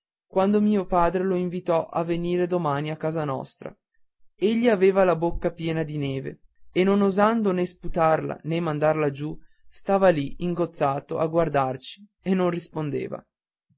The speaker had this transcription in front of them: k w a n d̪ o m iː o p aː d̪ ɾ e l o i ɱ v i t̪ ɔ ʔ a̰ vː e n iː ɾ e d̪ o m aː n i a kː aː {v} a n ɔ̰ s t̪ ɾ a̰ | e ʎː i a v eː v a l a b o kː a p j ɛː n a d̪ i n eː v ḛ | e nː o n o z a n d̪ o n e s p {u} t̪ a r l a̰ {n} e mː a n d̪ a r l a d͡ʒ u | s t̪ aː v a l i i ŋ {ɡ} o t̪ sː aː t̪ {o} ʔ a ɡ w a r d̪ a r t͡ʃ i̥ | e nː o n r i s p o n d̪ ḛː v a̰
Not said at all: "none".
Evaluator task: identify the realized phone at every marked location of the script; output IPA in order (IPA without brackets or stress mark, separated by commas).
z, u, n, ɡ, o